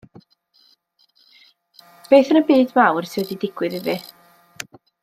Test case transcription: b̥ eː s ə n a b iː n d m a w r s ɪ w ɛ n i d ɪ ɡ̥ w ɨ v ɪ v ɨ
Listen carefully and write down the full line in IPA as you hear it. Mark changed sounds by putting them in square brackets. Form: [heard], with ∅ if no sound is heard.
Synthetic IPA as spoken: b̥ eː [θ] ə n [ə] b iː [∅] d m a w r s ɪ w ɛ [d] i d ɪ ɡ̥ w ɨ [ð] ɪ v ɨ